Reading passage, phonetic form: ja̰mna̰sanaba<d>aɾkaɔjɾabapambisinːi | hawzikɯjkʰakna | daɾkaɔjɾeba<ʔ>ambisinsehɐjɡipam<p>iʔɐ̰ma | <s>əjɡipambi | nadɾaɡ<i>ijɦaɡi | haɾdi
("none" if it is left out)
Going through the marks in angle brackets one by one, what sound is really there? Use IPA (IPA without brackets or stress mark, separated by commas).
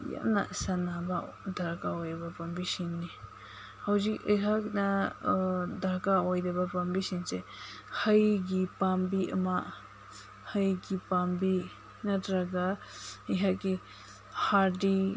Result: d, p, b, h, a